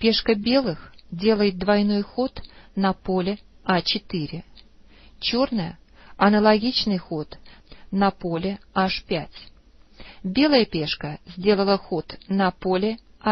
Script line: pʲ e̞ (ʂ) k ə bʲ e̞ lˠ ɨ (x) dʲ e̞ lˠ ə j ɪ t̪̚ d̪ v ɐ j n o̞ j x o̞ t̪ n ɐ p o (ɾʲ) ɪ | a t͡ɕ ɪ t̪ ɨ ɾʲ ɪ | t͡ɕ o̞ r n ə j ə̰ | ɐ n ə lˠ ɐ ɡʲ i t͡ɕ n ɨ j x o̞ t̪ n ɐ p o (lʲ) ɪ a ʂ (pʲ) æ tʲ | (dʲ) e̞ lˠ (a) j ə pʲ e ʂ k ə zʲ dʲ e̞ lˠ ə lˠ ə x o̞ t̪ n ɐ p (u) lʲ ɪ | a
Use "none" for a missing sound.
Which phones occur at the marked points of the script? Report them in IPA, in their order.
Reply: ʂ, x, lʲ, lʲ, pʲ, bʲ, ə, o

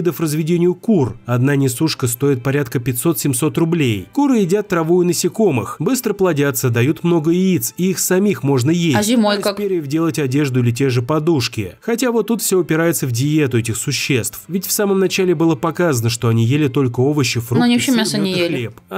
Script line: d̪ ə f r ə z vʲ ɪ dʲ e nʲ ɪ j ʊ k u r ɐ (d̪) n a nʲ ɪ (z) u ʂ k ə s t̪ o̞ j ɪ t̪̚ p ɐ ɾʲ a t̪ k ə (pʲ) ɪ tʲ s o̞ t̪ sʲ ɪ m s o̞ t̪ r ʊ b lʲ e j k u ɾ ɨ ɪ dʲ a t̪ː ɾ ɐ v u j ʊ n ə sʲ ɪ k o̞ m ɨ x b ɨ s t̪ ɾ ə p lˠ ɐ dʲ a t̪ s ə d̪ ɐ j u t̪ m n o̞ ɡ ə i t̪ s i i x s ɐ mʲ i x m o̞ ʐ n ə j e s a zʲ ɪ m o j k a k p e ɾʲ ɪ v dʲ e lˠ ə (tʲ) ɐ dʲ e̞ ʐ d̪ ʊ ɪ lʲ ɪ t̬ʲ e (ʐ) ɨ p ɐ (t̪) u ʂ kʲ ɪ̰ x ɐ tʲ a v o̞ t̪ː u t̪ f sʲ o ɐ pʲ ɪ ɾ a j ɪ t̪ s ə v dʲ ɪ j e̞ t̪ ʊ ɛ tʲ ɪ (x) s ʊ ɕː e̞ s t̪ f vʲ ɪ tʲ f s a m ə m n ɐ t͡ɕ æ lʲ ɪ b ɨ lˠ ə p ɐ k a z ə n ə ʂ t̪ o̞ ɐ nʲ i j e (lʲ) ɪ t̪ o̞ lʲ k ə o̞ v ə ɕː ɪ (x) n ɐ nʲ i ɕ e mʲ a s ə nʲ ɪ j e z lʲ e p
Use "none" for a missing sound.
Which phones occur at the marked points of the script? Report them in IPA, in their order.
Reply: d̪, s, pʲ, tʲ, ʐ, d̪, x, lʲ, f

